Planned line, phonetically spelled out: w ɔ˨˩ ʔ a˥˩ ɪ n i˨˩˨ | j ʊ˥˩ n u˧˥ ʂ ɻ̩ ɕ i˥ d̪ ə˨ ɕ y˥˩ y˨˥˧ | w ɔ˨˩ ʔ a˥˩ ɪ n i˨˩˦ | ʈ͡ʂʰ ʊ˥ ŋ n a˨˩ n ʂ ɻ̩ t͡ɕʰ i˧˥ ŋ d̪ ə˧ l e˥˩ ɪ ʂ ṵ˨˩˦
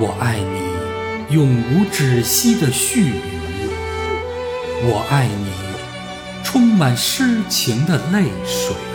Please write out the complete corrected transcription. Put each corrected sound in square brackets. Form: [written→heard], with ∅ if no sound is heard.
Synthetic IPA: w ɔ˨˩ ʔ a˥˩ ɪ n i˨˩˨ | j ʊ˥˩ [n→ŋ] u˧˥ [ʂ→ʈ͡ʂ] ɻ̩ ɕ i˥ d̪ ə˨ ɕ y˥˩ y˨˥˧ | w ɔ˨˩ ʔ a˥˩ ɪ n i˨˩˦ | ʈ͡ʂʰ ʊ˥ ŋ [n→m] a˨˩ n ʂ ɻ̩ t͡ɕʰ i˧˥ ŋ d̪ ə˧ l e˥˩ ɪ ʂ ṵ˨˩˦